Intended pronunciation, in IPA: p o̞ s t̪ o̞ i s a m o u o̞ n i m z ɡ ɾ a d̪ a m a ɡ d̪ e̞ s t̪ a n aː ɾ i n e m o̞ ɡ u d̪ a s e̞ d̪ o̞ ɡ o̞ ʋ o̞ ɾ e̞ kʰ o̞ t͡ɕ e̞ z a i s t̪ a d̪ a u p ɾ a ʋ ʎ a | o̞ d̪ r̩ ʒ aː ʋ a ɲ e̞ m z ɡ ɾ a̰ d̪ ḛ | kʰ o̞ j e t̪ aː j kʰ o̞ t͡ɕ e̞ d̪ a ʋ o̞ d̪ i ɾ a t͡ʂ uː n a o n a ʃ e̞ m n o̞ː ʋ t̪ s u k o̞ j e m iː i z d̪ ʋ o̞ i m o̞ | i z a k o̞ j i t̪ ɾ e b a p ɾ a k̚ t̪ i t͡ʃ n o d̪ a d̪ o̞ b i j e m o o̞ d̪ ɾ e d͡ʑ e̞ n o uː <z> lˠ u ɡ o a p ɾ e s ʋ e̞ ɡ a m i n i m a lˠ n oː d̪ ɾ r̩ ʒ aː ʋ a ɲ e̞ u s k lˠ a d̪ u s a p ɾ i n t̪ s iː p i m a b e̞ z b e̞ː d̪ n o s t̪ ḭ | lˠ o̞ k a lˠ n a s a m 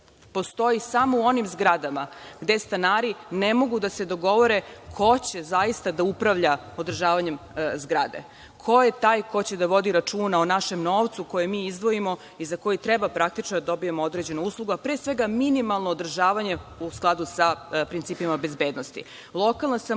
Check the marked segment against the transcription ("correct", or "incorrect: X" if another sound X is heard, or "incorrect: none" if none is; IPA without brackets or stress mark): incorrect: s